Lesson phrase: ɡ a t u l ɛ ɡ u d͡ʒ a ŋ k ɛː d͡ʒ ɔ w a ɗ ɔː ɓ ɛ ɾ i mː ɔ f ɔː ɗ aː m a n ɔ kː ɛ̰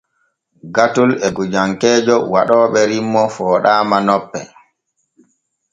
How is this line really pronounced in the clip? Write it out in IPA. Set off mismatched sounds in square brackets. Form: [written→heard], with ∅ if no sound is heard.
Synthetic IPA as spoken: ɡ a t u l ɛ ɡ u d͡ʒ a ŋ k ɛː d͡ʒ ɔ w a ɗ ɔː ɓ ɛ ɾ i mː ɔ f ɔː ɗ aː m a n ɔ [kː→pː] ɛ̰